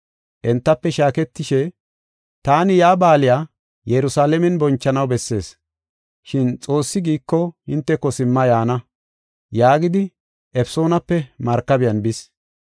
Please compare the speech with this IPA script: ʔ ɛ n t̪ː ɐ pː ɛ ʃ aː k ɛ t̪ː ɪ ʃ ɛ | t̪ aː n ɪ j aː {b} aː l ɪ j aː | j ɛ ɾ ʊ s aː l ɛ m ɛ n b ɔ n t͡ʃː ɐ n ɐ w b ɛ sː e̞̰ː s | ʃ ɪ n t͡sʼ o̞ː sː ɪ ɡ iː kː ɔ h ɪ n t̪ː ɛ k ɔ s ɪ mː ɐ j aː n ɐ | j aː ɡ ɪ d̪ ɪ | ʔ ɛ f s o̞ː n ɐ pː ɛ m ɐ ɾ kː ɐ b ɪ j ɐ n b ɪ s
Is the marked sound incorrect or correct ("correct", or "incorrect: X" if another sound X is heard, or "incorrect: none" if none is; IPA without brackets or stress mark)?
correct